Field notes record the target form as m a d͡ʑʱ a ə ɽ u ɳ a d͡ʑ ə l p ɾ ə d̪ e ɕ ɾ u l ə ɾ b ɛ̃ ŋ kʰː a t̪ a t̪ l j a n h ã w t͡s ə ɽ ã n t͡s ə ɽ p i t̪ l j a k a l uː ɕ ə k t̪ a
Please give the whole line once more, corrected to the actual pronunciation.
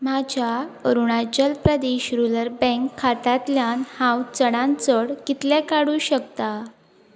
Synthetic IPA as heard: m a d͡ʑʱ a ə ɾ u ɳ a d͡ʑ ə l p ɾ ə d̪ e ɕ ɾ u l ə ɾ b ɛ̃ ŋ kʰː a t̪ a t̪ l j a n h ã w t͡s ə ɽ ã n t͡s ə ɽ k i t̪ l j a k a ɽ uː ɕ ə k t̪ a